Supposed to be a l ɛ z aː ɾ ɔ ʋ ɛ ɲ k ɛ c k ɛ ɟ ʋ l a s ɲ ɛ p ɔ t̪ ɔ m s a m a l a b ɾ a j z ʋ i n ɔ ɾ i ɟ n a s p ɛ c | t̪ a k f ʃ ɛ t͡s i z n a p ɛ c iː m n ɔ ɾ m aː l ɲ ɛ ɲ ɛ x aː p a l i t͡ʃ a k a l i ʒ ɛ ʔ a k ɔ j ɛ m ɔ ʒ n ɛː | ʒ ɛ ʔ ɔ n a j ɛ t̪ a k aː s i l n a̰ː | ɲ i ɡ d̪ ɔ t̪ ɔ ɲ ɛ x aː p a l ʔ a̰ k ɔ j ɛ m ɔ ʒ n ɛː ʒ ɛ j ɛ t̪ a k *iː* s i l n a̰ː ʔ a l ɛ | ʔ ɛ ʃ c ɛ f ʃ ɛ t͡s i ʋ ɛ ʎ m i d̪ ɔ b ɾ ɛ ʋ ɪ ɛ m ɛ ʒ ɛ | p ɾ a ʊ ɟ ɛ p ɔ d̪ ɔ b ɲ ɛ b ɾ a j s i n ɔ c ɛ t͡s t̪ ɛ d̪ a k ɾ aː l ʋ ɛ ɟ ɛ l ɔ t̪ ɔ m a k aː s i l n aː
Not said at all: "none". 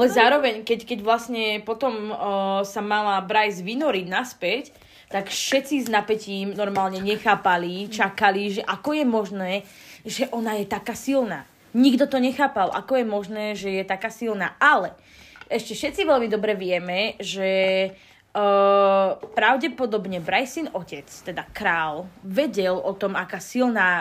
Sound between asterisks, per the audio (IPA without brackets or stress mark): aː